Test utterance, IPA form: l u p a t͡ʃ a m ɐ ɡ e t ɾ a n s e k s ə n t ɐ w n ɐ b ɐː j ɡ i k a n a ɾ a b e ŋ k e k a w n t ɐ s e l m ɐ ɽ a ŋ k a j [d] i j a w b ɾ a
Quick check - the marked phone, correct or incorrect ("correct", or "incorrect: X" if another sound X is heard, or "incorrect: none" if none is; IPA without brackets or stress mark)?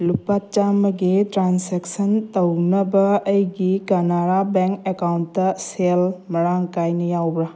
incorrect: n